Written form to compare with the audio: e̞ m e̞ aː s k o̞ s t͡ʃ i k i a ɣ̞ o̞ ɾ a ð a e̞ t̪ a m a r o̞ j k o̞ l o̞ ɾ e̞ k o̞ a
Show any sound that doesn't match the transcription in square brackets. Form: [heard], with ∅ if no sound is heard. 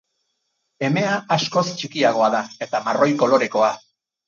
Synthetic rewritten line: e̞ m e̞ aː s k o̞ s t͡ʃ i k i a ɣ̞ o̞ [∅] a ð a e̞ t̪ a m a r o̞ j k o̞ l o̞ ɾ e̞ k o̞ a